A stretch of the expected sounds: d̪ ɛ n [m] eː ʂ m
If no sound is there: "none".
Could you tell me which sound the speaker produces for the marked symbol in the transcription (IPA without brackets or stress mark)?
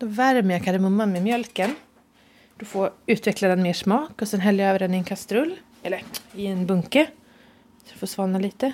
m